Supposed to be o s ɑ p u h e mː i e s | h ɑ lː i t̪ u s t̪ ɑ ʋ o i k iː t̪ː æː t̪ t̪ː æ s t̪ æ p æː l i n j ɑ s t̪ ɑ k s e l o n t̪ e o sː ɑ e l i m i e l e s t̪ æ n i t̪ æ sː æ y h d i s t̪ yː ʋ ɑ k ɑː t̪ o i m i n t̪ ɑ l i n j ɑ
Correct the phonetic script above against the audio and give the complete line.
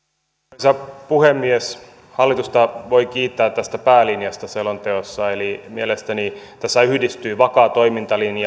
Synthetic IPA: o s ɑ p u h e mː i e s | h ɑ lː i t̪ u s t̪ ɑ ʋ o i k iː t̪ː æː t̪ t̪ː æ s t̪ æ p æː l i n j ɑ s t̪ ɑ s e l o n t̪ e o sː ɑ e l i m i e l e s t̪ æ n i t̪ æ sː æ y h d i s t̪ yː ʋ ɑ k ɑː t̪ o i m i n t̪ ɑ l i n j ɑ